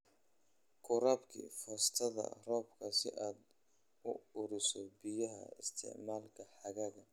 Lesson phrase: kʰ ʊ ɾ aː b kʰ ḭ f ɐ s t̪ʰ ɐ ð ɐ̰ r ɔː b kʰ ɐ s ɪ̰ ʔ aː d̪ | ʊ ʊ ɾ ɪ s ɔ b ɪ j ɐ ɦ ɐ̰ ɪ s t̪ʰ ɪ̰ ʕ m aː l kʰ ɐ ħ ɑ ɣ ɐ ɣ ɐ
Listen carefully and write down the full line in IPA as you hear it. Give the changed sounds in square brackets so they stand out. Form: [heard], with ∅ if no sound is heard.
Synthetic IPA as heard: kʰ ʊ ɾ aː b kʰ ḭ f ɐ s t̪ʰ ɐ ð ɐ̰ r ɔː b kʰ ɐ s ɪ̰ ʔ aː d̪ | ʊ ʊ ɾ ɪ s ɔ b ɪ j ɐ ɦ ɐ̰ ɪ s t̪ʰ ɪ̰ ʕ m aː l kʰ ɐ ħ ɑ ɣ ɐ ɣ ɐ